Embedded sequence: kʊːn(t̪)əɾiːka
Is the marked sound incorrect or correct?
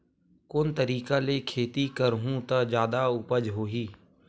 correct